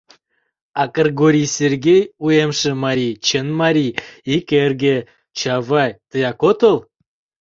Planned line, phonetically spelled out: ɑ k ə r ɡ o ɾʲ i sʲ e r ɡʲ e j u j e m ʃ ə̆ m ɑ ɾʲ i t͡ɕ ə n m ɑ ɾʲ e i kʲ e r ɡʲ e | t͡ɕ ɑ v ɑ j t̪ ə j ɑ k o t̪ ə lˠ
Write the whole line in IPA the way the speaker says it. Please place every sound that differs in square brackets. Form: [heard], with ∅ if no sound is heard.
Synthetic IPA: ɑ k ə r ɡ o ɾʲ i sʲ e r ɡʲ e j u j e m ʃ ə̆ m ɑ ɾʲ i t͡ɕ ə n m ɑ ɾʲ [i] i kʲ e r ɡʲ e | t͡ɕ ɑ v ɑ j t̪ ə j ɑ k o t̪ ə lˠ